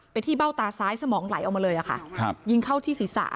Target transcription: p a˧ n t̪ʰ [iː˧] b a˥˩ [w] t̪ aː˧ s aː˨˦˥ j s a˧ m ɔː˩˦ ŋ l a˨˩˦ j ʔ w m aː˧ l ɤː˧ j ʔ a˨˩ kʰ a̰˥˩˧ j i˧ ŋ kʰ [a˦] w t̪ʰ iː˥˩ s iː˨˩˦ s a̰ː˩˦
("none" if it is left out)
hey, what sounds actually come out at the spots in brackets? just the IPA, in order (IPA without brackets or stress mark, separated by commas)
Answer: iː˥˩, w, a˥˩